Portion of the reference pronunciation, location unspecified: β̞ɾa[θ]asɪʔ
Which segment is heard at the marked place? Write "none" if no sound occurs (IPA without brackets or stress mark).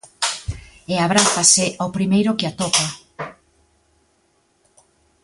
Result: θ